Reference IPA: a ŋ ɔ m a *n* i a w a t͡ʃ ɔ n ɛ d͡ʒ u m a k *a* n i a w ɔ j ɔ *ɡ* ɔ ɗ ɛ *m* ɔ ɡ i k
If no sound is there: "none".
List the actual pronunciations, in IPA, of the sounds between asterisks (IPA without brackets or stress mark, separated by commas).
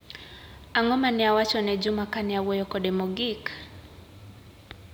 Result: n, a, k, m